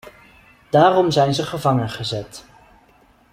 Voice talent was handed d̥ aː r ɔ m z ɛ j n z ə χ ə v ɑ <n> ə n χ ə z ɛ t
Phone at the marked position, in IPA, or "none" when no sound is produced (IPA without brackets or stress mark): ŋ